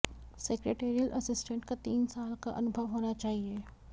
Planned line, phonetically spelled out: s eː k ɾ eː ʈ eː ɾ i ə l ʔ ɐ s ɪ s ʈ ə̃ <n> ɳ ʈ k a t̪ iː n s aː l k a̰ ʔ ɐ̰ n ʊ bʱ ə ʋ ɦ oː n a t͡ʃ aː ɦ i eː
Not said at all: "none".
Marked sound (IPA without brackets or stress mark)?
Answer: none